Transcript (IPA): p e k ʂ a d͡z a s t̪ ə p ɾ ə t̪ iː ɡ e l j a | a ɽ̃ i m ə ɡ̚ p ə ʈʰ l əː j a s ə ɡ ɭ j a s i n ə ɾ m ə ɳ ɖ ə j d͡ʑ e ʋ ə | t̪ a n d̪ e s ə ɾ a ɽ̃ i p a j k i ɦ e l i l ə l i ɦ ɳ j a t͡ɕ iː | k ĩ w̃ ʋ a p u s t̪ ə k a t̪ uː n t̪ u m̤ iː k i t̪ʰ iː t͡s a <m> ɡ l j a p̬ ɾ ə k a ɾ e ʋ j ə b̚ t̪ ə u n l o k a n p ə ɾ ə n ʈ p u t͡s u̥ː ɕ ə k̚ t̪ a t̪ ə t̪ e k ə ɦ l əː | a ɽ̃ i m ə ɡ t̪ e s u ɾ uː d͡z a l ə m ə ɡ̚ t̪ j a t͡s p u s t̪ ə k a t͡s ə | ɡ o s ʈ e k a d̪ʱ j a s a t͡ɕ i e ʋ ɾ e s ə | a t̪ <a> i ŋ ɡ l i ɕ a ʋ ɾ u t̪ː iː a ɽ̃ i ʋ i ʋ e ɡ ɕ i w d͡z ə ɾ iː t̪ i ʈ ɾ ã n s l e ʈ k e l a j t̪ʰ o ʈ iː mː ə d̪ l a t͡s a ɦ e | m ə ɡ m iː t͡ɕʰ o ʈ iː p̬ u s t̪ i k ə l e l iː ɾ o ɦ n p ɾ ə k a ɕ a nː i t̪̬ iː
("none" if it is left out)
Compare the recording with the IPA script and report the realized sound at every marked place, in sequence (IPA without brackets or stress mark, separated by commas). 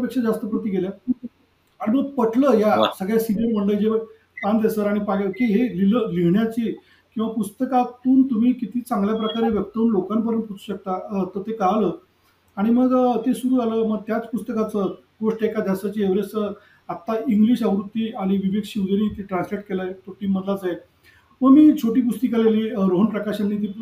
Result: ŋ, a